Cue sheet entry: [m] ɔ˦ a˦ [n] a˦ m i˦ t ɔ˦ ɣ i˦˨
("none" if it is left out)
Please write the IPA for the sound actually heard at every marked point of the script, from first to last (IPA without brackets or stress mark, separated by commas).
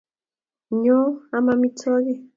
ɲ, m